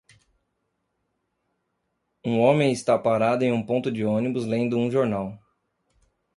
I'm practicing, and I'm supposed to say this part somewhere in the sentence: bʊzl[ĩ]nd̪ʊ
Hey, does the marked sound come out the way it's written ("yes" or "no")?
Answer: no